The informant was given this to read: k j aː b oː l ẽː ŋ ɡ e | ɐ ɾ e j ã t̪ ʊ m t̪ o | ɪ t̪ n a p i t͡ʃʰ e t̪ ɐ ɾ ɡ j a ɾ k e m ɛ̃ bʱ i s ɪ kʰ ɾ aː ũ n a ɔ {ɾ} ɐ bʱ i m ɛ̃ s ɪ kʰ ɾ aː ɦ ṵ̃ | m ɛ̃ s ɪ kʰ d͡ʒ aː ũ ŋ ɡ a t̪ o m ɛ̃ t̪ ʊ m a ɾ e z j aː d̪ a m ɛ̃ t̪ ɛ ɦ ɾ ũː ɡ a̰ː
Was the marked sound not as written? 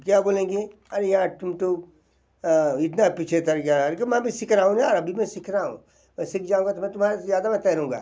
no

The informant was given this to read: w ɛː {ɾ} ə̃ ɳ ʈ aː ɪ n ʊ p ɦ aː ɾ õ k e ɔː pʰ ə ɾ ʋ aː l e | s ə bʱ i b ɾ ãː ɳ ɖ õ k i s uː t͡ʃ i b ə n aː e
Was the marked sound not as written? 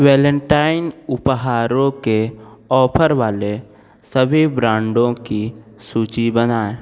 yes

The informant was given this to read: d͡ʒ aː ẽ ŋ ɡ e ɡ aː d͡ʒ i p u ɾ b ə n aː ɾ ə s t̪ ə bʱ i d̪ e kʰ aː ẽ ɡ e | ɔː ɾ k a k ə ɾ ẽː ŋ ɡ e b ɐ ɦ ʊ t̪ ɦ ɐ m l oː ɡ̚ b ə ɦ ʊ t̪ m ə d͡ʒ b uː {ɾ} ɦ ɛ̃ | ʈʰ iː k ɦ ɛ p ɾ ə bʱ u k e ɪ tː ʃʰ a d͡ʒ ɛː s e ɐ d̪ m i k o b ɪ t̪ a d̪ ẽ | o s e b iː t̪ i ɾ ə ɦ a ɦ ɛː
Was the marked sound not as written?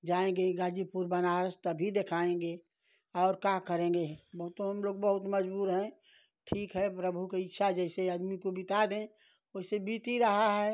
no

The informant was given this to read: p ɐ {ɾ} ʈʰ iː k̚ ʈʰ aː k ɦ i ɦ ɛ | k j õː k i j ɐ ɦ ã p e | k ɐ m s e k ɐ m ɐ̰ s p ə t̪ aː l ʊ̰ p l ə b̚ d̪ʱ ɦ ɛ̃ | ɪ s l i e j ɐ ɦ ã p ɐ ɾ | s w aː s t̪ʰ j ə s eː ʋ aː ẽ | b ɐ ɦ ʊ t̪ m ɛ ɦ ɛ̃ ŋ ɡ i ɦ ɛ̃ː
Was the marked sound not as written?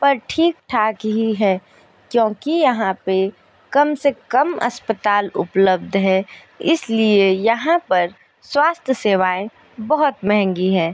no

